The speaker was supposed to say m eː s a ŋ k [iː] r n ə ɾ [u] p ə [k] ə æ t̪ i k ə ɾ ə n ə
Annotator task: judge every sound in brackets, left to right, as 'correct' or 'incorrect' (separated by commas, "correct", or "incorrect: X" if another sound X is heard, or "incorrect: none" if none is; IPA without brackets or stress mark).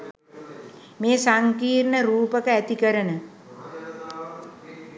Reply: correct, incorrect: uː, correct